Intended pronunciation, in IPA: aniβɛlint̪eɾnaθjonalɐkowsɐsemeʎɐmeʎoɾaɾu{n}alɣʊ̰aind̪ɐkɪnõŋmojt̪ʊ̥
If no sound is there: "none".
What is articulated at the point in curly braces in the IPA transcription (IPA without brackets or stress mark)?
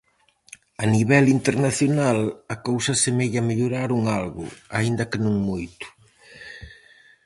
ŋ